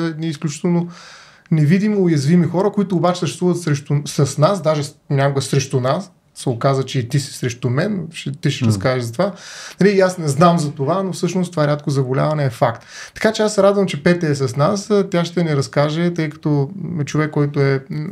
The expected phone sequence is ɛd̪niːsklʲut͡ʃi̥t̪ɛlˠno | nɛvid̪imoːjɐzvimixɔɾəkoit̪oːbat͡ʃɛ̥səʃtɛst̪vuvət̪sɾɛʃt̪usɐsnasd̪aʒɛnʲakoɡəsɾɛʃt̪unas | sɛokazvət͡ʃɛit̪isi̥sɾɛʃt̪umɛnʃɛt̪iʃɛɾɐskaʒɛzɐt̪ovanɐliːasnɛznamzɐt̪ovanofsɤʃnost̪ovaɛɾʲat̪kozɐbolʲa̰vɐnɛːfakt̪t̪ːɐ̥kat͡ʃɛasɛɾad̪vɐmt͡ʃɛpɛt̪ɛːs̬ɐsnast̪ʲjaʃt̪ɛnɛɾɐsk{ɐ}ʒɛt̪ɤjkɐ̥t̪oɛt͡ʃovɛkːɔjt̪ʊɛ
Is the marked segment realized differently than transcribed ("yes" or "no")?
yes